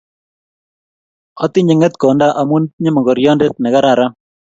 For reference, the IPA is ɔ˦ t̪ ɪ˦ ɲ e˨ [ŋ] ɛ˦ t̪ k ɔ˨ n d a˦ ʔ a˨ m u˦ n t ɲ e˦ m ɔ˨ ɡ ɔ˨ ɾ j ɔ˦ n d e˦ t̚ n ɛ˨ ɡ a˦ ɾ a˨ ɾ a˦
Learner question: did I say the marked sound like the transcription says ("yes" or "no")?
yes